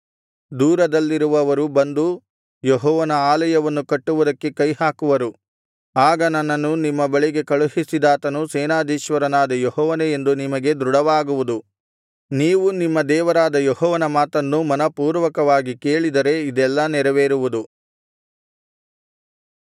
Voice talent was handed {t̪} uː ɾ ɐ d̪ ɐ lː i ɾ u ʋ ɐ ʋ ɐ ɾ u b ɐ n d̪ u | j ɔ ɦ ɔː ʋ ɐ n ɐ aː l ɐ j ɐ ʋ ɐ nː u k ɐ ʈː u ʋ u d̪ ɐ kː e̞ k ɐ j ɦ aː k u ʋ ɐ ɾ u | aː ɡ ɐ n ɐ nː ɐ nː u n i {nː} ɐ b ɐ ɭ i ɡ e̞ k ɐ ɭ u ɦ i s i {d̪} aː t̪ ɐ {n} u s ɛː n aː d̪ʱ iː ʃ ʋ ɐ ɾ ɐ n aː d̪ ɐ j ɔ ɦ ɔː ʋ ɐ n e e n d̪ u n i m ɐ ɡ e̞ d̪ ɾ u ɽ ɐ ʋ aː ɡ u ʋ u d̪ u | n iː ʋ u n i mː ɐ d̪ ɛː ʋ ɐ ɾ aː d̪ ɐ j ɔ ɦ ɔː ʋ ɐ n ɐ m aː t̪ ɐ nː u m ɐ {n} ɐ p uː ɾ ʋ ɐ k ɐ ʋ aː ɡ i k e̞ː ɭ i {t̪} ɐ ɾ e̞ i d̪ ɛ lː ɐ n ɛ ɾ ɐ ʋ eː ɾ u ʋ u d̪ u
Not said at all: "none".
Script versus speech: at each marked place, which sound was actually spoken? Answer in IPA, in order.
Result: d̪, mː, d̪, n, n, d̪

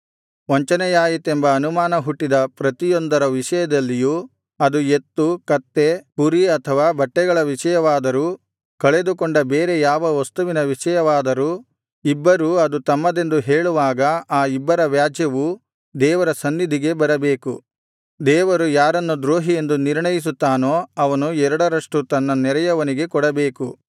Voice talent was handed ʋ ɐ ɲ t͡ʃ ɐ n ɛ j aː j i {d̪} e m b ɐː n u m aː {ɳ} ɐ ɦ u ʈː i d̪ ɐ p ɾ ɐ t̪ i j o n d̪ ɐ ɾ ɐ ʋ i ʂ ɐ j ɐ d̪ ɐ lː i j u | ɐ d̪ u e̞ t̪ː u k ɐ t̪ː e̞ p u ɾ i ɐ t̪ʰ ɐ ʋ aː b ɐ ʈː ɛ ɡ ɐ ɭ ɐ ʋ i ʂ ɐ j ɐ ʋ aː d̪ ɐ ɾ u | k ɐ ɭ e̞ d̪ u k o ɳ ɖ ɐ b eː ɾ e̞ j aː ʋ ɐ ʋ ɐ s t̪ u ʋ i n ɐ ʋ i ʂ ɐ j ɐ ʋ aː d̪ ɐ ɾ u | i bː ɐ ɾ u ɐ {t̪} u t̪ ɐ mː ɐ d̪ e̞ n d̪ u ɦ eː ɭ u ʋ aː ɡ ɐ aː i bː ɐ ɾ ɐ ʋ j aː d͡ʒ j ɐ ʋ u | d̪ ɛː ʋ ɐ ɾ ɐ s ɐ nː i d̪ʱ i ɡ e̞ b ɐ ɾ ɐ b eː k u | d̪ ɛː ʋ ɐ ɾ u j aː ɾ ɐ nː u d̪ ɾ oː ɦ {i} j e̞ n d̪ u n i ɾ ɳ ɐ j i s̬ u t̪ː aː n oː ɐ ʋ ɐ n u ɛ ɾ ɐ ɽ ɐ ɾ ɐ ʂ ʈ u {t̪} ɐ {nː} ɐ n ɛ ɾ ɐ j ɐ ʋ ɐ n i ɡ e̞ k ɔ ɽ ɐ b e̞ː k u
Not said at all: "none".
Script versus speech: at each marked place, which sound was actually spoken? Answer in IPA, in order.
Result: t̪, n, d̪, i, t̪, nː

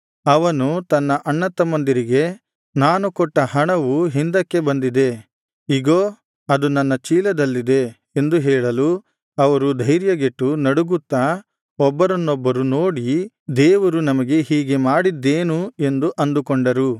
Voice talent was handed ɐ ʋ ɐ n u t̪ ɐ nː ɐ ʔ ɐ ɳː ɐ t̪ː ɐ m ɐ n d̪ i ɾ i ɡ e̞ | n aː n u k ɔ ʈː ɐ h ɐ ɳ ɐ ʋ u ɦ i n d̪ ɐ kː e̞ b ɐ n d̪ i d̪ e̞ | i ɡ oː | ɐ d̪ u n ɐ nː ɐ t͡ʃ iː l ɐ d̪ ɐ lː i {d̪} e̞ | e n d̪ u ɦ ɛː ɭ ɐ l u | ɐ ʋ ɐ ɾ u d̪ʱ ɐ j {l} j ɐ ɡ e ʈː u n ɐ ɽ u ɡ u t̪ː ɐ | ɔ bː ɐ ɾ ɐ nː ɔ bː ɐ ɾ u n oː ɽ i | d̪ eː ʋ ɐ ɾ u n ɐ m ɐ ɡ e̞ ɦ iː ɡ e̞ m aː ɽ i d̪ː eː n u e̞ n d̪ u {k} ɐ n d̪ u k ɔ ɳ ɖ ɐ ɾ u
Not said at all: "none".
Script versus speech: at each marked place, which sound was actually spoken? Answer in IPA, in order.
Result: d̪, ɾ, ʔ

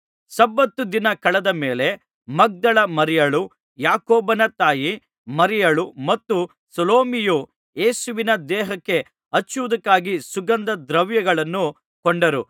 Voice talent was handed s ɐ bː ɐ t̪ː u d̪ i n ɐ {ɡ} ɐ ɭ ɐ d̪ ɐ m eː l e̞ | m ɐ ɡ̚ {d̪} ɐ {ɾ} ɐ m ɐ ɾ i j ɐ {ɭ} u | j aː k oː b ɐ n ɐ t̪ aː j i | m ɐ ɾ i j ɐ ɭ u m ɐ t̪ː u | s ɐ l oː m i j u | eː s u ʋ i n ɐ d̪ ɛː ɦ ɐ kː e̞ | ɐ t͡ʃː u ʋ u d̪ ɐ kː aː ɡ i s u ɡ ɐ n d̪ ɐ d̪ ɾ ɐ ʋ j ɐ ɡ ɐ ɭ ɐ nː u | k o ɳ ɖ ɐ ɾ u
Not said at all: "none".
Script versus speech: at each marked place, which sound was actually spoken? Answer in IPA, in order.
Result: k, d̪, ɭ, ɭ

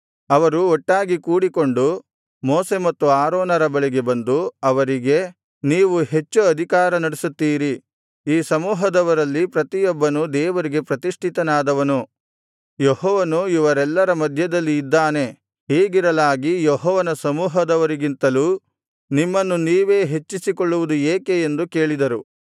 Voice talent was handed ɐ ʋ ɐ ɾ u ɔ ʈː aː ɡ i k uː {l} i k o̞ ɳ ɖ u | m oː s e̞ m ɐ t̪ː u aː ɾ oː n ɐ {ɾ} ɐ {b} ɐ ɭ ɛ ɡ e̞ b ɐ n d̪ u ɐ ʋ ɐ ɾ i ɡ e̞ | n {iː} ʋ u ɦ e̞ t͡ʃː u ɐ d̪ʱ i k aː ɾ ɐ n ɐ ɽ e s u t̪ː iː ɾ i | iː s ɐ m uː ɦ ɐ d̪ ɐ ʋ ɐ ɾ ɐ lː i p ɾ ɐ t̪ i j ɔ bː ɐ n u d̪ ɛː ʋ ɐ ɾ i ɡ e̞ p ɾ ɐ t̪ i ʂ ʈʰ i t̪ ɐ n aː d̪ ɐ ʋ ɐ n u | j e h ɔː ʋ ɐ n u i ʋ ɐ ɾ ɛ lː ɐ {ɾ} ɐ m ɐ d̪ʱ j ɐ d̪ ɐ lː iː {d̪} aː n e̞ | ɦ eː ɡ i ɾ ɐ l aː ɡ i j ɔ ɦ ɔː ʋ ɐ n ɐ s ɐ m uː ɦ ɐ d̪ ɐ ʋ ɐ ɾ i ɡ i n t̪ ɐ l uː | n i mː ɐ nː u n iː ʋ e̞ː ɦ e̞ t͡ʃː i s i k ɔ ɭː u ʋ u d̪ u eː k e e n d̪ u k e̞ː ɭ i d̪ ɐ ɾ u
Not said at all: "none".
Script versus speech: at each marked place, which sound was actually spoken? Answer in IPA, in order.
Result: ɽ, ɾ, b, iː, ɾ, d̪ː

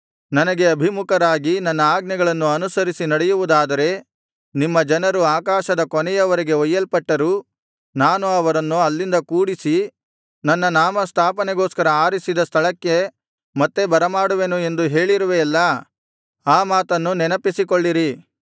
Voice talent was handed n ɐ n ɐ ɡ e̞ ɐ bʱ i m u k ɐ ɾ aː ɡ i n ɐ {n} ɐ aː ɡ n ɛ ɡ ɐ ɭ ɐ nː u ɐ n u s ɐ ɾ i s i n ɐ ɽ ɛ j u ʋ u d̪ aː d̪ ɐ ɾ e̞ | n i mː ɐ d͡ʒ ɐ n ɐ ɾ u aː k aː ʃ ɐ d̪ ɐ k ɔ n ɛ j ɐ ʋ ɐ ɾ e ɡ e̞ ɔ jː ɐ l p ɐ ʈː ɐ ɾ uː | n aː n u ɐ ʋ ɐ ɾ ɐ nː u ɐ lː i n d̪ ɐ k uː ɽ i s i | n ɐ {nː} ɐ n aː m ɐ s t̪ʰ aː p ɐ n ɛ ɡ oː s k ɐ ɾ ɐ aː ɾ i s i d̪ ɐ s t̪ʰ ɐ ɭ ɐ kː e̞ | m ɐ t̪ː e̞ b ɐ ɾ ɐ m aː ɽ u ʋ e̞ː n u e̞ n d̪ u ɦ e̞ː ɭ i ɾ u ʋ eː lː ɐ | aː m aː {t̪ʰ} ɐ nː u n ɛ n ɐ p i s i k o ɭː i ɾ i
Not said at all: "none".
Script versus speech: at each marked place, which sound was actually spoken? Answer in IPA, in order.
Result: nː, nː, t̪

